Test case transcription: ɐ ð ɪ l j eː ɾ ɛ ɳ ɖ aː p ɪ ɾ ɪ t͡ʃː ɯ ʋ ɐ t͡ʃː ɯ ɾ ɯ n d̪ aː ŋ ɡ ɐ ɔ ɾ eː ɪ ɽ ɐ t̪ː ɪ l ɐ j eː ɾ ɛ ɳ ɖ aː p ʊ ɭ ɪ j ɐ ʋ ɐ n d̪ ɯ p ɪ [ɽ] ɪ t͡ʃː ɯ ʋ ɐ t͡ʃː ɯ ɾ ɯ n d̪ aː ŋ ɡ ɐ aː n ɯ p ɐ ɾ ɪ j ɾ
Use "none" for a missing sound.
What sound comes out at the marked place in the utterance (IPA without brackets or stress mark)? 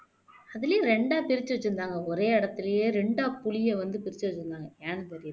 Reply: ɾ